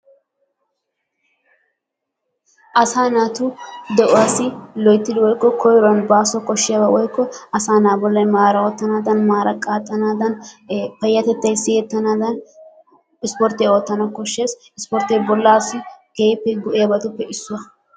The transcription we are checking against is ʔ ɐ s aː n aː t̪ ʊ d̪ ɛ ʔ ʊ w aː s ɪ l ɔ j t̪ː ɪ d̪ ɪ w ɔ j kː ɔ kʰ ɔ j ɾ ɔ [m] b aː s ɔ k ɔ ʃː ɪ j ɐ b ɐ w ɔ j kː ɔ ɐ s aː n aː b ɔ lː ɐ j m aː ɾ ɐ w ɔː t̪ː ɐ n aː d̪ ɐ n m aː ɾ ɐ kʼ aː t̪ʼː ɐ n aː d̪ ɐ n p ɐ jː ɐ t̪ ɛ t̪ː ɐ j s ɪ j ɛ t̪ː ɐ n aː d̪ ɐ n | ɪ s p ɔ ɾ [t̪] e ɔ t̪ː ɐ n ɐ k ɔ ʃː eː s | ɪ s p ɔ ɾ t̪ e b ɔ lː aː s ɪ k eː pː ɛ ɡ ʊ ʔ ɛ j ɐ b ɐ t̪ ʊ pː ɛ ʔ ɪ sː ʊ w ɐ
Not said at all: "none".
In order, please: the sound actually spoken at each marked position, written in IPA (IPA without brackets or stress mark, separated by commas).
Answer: n, t̪